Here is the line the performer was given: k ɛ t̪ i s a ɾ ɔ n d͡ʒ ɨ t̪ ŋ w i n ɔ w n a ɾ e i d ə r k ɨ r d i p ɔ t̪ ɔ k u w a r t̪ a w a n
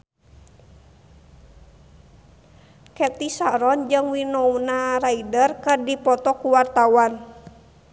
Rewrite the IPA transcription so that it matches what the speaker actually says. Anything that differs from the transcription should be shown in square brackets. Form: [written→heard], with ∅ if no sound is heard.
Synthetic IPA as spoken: k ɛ t̪ i s a ɾ ɔ n d͡ʒ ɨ [t̪→∅] ŋ w i n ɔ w n a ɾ [e→a] i d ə r k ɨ r d i p ɔ t̪ ɔ k u w a r t̪ a w a n